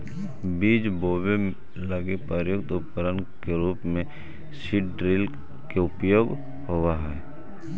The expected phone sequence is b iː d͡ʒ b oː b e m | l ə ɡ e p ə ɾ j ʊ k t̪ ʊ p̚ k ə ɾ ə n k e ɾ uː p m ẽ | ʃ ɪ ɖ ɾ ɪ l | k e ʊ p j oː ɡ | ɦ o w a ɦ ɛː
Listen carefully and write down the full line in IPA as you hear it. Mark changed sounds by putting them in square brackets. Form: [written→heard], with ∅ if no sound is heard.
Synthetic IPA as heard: b iː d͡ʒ b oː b e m | l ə ɡ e p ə ɾ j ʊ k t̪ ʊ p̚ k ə ɾ ə n k e ɾ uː p m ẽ | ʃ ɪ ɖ ɾ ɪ l | k e ʊ p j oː ɡ | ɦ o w a ɦ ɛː

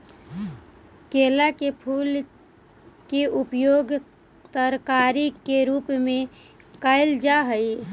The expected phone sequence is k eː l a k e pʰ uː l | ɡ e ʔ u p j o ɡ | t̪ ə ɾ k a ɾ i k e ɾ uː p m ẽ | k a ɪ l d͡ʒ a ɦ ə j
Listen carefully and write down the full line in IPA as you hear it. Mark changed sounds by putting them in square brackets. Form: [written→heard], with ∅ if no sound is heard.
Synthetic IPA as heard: k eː l a k e pʰ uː l | [ɡ→k] e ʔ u p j o ɡ | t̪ ə ɾ k a ɾ i k e ɾ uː p m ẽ | k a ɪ l d͡ʒ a ɦ ə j

